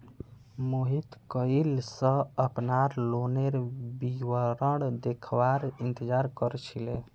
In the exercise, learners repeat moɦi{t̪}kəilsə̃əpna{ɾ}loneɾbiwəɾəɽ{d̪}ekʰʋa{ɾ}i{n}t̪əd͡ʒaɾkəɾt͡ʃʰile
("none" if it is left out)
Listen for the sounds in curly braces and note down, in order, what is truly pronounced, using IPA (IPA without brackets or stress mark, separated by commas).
t̪, ɾ, d̪, ɾ, n